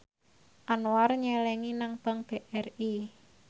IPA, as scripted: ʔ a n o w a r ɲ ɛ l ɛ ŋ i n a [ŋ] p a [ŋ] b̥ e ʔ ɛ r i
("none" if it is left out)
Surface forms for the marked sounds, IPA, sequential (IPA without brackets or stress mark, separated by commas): ŋ, ŋ